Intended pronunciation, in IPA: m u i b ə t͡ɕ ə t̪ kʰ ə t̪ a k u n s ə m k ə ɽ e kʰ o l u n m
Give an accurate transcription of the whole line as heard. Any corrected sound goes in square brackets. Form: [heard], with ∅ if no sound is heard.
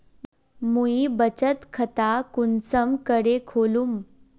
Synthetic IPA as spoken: m u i b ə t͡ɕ ə t̪ kʰ ə t̪ a k u n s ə m k ə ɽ e kʰ o l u [∅] m